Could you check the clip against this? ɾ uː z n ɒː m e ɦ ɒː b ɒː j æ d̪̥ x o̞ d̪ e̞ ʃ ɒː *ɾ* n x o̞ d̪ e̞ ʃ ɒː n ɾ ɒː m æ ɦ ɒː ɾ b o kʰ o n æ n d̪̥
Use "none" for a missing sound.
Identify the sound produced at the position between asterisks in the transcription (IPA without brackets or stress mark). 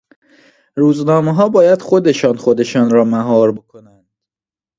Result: none